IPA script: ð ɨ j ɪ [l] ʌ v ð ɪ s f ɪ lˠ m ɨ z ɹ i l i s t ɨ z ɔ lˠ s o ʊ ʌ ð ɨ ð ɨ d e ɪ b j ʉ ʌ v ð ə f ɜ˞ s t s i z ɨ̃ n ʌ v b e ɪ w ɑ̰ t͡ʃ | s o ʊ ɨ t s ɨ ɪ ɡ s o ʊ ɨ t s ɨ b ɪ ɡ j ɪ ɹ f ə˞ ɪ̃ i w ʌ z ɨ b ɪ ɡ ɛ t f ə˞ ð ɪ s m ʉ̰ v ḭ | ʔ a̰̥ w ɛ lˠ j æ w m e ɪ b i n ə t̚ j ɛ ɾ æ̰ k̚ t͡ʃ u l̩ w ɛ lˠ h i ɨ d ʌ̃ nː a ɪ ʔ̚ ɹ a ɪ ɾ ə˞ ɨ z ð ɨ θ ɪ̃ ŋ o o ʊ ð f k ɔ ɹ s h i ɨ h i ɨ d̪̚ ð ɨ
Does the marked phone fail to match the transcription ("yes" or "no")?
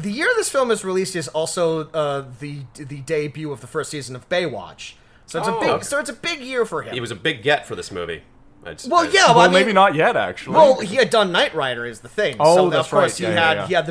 yes